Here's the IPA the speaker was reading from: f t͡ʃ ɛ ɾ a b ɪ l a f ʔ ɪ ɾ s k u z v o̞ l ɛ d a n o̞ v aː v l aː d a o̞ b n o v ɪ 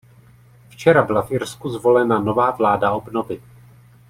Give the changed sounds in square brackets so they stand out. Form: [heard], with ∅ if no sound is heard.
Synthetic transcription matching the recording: f t͡ʃ ɛ ɾ a b ɪ l a f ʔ ɪ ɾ s k u z v o̞ l ɛ [n] a n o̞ v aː v l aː d a o̞ b n o v ɪ